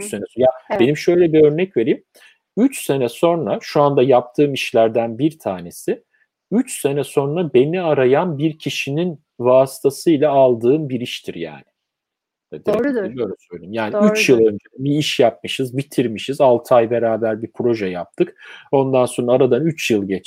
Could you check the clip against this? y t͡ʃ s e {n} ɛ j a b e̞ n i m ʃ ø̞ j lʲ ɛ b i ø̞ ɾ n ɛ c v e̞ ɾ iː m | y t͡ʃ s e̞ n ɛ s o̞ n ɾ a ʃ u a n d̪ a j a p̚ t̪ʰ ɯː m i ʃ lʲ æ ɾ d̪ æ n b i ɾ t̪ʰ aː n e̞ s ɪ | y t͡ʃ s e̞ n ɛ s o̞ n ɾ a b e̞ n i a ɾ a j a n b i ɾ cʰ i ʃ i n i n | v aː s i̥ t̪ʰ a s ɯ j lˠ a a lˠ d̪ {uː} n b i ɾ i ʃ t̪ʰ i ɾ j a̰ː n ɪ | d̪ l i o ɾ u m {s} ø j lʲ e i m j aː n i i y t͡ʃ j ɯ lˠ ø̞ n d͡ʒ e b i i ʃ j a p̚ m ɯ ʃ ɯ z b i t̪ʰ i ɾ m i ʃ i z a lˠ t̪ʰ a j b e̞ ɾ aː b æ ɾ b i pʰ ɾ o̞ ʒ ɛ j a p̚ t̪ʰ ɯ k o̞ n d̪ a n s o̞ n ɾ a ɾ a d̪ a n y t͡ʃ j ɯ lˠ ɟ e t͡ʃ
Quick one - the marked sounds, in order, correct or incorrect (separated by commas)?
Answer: correct, incorrect, correct